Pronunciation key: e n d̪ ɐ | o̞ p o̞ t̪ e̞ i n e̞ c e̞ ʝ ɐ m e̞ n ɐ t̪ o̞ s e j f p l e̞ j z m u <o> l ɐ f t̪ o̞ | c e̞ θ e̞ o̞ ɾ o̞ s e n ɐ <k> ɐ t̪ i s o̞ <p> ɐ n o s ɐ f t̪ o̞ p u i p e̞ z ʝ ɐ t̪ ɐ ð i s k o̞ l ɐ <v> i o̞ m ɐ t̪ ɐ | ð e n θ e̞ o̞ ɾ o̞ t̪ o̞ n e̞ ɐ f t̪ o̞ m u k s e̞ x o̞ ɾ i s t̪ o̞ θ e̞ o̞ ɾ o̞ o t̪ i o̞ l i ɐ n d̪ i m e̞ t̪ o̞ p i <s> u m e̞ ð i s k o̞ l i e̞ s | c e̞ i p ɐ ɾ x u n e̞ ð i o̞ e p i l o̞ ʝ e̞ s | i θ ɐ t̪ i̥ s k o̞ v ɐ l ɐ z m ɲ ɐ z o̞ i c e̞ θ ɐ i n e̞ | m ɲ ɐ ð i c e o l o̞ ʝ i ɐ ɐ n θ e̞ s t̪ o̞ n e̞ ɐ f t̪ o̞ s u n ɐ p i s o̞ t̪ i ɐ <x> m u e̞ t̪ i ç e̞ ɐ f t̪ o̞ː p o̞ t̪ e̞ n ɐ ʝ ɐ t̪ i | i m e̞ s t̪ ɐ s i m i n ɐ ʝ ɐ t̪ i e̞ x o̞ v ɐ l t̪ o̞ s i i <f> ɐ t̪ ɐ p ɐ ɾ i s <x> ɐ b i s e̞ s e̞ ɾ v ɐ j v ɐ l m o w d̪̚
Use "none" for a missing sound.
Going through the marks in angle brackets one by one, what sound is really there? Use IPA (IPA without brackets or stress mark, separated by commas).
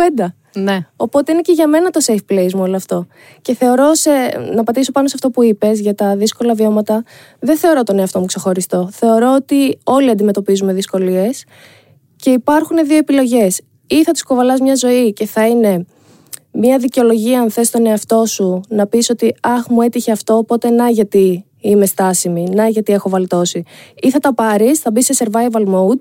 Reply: o, p, p, v, z, x, θ, θ